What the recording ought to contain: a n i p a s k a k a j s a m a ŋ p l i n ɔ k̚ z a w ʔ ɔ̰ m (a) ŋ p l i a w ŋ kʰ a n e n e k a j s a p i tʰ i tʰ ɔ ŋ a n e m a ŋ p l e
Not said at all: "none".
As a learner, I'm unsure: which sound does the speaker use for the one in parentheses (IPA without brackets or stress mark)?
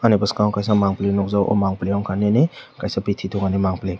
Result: a